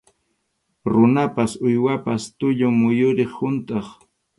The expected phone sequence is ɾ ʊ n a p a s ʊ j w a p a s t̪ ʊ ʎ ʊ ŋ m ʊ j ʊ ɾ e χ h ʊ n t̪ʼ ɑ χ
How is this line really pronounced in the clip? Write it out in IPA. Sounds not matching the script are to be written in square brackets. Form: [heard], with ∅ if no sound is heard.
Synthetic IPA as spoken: ɾ ʊ n a p a s ʊ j w a p a s t̪ ʊ ʎ ʊ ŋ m ʊ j ʊ ɾ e χ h ʊ n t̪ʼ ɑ χ